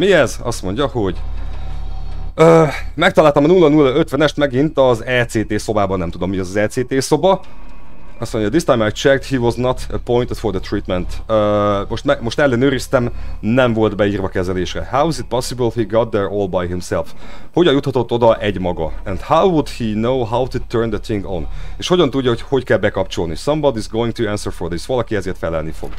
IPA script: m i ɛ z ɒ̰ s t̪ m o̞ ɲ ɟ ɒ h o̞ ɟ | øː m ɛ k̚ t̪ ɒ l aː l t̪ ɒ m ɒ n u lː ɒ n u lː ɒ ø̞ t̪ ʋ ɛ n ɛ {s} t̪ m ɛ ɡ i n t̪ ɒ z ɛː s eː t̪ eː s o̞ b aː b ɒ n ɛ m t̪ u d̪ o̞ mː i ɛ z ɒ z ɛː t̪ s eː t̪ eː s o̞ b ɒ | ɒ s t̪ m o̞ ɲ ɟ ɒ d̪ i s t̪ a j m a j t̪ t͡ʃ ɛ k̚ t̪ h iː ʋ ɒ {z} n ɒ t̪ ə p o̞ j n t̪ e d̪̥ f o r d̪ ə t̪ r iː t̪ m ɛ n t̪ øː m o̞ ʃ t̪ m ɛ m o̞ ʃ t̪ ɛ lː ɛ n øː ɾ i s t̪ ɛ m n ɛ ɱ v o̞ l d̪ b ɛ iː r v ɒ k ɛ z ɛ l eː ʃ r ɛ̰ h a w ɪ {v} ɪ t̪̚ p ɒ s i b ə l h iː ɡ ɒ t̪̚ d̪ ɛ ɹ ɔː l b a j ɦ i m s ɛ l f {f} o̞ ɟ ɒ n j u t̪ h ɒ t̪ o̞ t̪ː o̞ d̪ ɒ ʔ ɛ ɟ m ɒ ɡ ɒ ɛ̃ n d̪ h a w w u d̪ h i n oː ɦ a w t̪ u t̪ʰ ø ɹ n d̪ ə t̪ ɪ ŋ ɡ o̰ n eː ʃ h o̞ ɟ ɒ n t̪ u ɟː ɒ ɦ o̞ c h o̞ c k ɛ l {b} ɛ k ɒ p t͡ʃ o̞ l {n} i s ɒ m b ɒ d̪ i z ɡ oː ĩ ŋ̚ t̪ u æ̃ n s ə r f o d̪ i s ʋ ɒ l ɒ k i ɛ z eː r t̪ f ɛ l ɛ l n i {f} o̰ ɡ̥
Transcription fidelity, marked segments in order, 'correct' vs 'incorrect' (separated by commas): incorrect, correct, incorrect, incorrect, correct, correct, correct